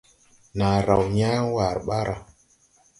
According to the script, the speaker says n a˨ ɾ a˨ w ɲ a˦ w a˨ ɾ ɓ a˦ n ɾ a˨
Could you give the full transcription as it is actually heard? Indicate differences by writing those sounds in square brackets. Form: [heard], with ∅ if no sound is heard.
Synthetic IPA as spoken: n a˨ ɾ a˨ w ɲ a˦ w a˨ ɾ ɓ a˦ [∅] ɾ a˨